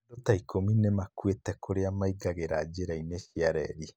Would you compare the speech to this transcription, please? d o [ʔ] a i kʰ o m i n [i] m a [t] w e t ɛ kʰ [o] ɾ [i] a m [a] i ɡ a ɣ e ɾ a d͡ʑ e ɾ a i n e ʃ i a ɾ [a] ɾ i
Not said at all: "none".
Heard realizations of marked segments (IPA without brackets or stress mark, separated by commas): t, e, k, o, e, a, ɛ